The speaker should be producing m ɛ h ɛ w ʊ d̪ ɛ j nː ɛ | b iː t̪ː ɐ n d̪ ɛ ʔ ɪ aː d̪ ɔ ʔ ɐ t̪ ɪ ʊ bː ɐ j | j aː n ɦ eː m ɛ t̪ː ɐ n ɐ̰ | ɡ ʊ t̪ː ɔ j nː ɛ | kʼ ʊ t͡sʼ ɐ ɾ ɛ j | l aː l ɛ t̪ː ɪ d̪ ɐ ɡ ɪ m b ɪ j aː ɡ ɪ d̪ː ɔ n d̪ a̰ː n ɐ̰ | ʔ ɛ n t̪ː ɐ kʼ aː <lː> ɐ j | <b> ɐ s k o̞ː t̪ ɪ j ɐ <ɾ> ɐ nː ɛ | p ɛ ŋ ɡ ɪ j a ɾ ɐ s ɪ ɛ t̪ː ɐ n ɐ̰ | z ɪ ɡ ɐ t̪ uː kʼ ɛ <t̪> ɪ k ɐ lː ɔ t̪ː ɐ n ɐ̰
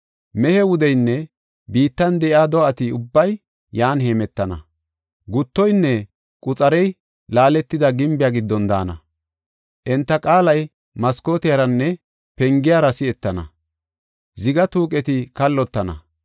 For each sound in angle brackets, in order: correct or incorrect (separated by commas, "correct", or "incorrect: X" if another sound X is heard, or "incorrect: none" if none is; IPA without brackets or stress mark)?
incorrect: l, incorrect: m, correct, correct